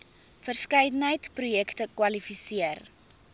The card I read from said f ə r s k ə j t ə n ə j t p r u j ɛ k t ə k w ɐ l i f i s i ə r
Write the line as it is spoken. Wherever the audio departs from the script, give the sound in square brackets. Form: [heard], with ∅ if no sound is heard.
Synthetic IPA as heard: f ə r s k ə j [d] ə n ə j t p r u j ɛ k t ə k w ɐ l i f i s i ə r